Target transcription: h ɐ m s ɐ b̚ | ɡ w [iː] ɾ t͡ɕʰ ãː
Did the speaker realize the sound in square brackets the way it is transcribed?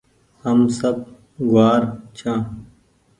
no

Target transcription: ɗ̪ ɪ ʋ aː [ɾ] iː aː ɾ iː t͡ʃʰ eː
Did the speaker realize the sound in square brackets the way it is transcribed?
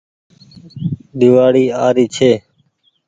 no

